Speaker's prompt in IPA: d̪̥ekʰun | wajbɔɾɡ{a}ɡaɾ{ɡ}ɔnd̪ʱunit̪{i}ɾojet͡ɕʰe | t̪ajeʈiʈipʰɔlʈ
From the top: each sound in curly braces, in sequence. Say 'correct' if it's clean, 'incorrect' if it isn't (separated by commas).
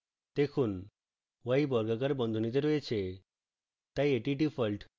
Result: correct, incorrect, incorrect